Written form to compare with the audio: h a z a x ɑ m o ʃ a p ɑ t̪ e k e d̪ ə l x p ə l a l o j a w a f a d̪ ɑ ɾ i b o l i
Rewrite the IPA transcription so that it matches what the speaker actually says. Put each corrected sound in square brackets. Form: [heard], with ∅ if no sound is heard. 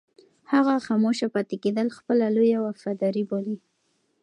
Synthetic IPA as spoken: h a [ɣ] a x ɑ m o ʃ a p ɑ t̪ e k e d̪ ə l x p ə l a l o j a w a f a d̪ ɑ ɾ i b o l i